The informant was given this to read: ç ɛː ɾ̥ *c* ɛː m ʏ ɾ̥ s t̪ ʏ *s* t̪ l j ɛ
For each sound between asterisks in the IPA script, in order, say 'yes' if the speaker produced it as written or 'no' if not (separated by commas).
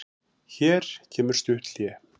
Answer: no, no